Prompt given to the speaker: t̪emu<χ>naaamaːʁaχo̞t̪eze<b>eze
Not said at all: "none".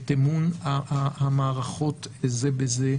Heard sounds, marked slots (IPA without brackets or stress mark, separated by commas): none, b